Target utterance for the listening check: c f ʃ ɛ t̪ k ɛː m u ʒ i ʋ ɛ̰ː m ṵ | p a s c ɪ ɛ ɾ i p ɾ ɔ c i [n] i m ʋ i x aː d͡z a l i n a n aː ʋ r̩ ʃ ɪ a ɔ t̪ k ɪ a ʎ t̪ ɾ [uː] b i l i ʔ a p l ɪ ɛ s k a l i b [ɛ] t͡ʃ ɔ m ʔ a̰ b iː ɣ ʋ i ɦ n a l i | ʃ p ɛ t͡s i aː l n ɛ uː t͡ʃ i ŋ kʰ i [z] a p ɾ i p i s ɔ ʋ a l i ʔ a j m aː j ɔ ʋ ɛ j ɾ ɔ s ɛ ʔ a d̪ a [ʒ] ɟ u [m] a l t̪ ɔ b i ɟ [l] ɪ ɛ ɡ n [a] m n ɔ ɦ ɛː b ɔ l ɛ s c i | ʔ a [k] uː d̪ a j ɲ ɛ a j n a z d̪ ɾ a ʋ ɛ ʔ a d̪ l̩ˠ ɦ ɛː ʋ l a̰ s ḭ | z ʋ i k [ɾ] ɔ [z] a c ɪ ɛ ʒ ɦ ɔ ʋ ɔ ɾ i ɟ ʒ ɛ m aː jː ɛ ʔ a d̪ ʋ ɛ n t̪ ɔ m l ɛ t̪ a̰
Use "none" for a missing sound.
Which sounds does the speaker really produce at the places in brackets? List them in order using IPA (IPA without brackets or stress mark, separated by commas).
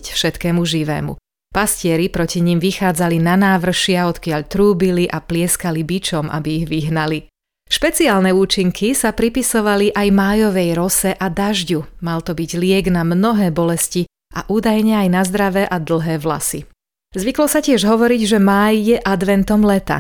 ɲ, uː, i, s, ʒ, m, l, a, ʔ, l, s